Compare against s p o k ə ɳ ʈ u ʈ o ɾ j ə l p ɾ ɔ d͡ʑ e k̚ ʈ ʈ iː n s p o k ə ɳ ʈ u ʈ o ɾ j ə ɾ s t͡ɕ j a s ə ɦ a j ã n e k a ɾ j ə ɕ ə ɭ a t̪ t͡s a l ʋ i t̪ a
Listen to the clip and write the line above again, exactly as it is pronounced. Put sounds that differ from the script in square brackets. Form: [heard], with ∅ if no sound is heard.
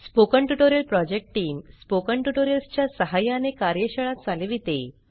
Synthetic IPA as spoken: s p o k ə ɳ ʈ u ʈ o ɾ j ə l p ɾ ɔ d͡ʑ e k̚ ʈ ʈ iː [m] s p o k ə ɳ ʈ u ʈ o ɾ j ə [l] s t͡ɕ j a s ə ɦ a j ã n e k a ɾ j ə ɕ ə ɭ a t̪ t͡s a l ʋ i t̪ [e]